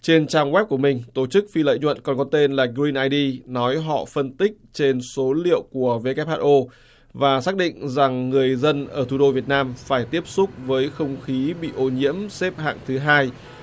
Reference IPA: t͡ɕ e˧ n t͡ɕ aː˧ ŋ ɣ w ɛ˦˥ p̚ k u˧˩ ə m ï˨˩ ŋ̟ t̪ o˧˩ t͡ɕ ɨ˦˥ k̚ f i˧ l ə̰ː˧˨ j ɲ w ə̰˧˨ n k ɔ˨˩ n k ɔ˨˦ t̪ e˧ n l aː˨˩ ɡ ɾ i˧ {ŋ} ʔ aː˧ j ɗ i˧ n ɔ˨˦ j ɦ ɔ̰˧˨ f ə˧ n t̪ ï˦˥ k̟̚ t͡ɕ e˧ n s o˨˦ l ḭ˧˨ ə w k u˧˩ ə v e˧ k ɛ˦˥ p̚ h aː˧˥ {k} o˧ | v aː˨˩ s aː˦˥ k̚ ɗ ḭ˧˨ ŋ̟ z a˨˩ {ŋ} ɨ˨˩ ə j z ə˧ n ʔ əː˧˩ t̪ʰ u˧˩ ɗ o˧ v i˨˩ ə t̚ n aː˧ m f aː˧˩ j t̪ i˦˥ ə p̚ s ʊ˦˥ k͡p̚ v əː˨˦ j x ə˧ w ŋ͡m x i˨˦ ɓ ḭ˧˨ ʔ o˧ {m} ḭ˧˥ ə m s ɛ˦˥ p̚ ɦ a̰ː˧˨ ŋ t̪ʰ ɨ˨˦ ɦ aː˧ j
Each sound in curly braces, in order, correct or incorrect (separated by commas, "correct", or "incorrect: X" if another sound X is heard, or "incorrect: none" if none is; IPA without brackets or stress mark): incorrect: n, incorrect: ʔ, incorrect: ŋː, incorrect: ɲ